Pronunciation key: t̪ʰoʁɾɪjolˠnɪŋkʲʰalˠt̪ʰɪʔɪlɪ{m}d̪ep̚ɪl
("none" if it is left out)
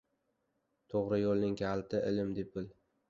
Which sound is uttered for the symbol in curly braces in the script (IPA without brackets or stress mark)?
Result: m